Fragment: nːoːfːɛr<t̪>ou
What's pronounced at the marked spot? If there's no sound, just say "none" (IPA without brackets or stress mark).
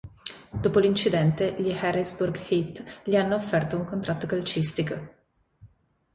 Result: t̪